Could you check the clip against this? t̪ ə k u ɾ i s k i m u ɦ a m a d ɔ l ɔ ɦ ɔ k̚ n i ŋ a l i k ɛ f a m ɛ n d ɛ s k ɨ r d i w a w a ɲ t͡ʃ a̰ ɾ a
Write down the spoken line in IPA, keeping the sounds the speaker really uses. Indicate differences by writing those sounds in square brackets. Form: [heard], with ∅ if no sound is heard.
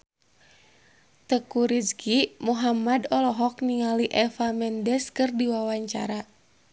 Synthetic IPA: t̪ ə k u ɾ i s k i m u ɦ a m a d ɔ l ɔ ɦ ɔ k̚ n i ŋ a l i [ʔ] ɛ f a m ɛ n d ɛ s k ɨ r d i w a w a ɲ t͡ʃ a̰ ɾ a